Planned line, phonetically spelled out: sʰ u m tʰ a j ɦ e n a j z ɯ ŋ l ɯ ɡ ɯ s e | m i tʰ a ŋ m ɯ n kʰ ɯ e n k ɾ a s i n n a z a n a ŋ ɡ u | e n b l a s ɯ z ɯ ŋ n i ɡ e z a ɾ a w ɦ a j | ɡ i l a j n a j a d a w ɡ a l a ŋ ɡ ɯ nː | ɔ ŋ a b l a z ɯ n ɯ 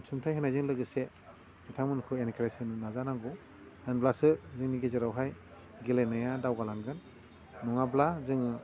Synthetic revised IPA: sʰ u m tʰ a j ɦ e n a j z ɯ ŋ l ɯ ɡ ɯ s e | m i tʰ a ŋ m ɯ n kʰ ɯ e n k ɾ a s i n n a z a n a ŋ ɡ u | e n b l a s ɯ z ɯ ŋ n i ɡ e z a ɾ a w ɦ a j | ɡ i l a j n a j a d a w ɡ a l a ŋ ɡ ɯ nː | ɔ ŋ a b l a z ɯ ŋ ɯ